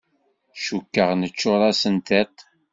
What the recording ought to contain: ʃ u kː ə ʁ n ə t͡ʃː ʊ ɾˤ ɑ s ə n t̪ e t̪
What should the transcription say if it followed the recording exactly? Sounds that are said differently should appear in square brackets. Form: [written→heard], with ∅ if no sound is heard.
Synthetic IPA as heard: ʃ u kː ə ʁ n ə t͡ʃː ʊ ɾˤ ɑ s ə n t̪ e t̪